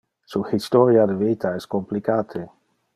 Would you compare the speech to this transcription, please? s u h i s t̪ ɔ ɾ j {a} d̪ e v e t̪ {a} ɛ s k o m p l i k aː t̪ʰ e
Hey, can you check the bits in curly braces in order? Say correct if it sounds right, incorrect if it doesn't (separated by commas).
correct, correct